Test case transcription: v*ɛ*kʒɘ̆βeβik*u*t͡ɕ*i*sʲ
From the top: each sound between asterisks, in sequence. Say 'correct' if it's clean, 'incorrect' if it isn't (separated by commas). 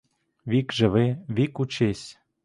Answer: incorrect, correct, incorrect